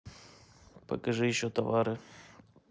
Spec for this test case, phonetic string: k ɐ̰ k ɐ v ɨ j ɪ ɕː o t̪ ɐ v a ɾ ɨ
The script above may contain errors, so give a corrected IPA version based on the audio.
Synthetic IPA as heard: p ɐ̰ k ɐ ʐ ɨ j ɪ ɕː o t̪ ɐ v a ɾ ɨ

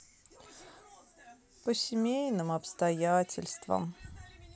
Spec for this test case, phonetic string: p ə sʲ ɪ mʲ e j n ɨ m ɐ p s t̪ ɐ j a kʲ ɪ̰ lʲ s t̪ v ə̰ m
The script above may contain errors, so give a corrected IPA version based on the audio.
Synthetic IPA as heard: p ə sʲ ɪ mʲ e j n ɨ m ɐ p s t̪ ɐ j a tʲ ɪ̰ lʲ s t̪ v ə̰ m

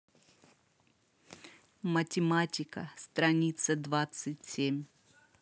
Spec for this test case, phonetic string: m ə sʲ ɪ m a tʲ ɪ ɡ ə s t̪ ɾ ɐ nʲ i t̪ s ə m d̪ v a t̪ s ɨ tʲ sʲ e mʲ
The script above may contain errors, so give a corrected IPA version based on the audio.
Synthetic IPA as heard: m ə tʲ ɪ m a tʲ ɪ k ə s t̪ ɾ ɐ nʲ i t̪ s ə d̪ v a t̪ s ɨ tʲ sʲ e mʲ

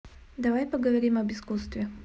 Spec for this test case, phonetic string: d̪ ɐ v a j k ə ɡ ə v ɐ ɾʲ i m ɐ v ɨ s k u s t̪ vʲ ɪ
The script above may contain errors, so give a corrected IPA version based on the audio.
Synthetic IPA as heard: d̪ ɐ v a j p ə ɡ ə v ɐ ɾʲ i m ɐ b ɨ s k u s t̪ vʲ ɪ

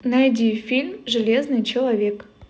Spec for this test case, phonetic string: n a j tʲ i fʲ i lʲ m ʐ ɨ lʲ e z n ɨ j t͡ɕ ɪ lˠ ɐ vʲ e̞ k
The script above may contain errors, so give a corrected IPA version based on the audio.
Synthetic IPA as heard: n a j dʲ i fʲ i lʲ m ʐ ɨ lʲ e z n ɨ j t͡ɕ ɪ lˠ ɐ vʲ e̞ k

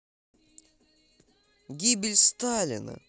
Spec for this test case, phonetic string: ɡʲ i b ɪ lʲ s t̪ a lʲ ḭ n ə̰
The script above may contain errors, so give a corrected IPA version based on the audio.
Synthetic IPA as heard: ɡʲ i b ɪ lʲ s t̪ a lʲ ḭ n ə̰

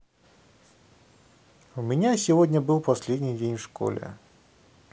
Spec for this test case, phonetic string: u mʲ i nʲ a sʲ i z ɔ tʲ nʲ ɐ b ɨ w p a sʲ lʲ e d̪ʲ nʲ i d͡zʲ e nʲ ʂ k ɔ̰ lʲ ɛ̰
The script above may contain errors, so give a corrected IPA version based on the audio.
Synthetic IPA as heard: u mʲ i nʲ a sʲ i v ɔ dʲ nʲ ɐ b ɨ w p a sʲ lʲ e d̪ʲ nʲ i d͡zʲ e nʲ ʂ k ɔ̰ lʲ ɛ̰

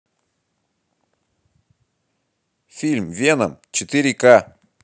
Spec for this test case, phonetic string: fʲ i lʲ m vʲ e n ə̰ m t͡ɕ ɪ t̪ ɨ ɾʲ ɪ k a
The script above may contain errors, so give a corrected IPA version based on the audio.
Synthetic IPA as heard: fʲ i lʲ m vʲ e n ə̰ m t͡ɕ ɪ t̪ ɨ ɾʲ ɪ k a

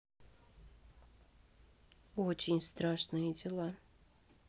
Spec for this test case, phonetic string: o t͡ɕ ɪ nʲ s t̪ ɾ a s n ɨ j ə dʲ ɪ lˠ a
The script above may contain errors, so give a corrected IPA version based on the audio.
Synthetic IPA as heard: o t͡ɕ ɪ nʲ s t̪ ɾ a ʂ n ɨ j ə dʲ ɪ lˠ a

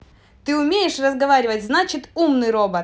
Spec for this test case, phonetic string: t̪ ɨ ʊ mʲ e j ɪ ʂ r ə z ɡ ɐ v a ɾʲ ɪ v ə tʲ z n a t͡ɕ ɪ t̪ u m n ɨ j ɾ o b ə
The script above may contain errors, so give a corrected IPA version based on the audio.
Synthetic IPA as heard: t̪ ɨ ʊ mʲ e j ɪ ʂ r ə z ɡ ɐ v a ɾʲ ɪ v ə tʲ z n a t͡ɕ ɪ t̪ u m n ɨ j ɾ o b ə

